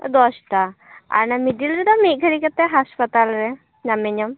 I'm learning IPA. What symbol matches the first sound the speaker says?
d̪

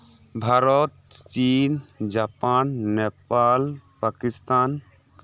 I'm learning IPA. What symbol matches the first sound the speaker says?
bʱ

